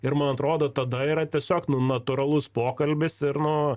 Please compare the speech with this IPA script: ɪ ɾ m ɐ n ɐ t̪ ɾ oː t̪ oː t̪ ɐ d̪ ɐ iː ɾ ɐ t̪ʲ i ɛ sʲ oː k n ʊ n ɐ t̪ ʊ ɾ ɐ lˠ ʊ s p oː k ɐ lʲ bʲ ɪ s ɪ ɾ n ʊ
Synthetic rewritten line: ɪ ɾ m ɐ n ɐ t̪ ɾ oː d̪ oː t̪ ɐ d̪ ɐ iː ɾ ɐ t̪ʲ i ɛ sʲ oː k n ʊ n ɐ t̪ ʊ ɾ ɐ lˠ ʊ s p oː k ɐ lʲ bʲ ɪ s ɪ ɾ n ʊ